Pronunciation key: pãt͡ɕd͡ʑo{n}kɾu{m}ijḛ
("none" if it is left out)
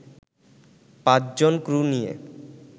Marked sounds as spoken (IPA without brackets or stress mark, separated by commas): n, n